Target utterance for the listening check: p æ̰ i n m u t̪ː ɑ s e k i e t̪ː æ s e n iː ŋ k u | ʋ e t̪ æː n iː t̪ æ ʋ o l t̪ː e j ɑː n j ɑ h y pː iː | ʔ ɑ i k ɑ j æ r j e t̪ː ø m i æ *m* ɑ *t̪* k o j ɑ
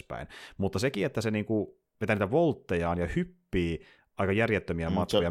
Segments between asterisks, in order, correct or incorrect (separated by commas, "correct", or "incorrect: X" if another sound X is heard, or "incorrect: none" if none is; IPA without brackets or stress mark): correct, correct